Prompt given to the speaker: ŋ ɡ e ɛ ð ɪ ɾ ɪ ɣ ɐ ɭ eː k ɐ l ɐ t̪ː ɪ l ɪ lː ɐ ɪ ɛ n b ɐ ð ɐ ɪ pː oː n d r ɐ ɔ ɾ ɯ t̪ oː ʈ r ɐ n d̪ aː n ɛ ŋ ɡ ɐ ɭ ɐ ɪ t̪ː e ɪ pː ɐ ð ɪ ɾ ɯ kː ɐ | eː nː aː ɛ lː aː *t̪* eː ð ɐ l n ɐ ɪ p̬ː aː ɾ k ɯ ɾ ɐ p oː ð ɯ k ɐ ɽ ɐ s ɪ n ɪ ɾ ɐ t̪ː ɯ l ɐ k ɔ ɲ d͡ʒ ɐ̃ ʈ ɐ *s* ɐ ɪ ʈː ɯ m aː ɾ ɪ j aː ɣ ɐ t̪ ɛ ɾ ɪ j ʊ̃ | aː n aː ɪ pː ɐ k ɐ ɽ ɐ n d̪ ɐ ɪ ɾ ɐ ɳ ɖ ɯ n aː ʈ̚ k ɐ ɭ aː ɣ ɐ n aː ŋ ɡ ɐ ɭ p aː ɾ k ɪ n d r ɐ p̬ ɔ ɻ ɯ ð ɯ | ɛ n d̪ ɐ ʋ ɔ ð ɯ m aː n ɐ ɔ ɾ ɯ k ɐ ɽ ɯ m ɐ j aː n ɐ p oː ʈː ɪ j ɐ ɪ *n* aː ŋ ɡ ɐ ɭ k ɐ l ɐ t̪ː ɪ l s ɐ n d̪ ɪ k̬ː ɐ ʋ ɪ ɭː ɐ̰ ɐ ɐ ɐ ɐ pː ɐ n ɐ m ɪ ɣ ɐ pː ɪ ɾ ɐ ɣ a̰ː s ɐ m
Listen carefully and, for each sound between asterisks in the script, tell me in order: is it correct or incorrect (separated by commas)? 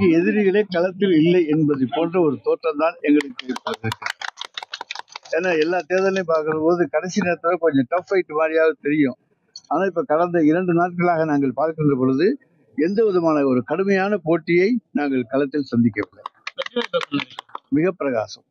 correct, incorrect, correct